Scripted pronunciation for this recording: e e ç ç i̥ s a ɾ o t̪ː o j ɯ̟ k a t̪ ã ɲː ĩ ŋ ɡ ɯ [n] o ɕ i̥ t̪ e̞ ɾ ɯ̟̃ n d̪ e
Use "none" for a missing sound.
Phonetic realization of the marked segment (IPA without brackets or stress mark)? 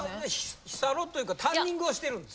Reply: none